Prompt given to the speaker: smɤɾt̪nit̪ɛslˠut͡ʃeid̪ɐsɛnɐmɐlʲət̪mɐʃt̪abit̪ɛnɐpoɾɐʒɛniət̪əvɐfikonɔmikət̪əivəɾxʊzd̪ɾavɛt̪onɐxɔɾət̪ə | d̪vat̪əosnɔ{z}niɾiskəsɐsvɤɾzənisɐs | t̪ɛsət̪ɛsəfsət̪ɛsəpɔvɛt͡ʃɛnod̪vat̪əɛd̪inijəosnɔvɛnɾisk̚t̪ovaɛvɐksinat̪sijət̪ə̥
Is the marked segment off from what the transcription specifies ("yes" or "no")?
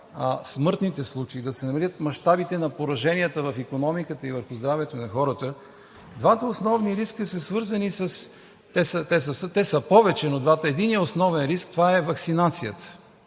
yes